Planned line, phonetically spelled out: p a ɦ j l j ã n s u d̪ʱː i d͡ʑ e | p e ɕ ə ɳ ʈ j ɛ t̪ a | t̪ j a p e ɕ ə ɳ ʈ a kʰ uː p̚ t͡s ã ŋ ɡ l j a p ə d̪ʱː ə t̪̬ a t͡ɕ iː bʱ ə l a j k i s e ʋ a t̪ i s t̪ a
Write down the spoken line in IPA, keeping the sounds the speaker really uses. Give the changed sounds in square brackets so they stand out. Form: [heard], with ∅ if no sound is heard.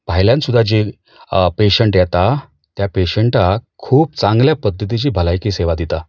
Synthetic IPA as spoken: p a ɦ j l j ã n s u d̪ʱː [a] d͡ʑ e | p e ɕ ə ɳ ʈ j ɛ t̪ a | t̪ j a p e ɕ ə ɳ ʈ a kʰ uː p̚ t͡s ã ŋ ɡ l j a p ə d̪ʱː ə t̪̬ [i] t͡ɕ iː bʱ ə l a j k i s e ʋ a [d̪] i [∅] t̪ a